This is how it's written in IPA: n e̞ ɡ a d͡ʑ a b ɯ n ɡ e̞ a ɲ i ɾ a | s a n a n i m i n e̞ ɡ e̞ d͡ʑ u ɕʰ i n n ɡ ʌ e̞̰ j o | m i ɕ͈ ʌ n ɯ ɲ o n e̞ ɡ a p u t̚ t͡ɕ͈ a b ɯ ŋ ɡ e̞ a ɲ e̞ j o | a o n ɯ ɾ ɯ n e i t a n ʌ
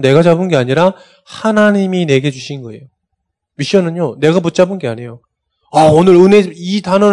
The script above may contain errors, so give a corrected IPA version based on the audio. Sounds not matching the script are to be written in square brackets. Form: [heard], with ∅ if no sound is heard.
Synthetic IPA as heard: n e̞ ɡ a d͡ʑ a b ɯ n ɡ e̞ a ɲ i ɾ a | [h] a n a [ɲ] i m i n e̞ ɡ e̞ d͡ʑ u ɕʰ i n n ɡ ʌ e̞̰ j o | m i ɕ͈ ʌ n ɯ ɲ o n e̞ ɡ a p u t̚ t͡ɕ͈ a b ɯ [n] ɡ e̞ a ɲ e̞ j o | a o n ɯ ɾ ɯ n e i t a n ʌ